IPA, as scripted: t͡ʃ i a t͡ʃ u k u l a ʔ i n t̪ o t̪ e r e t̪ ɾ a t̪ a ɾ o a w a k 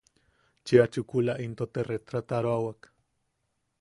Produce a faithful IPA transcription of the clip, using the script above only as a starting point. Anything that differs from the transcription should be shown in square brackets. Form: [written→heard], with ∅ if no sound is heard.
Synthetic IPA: t͡ʃ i a t͡ʃ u k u l a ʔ i n t̪ o t̪ e r e t̪ ɾ a t̪ a ɾ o a w a k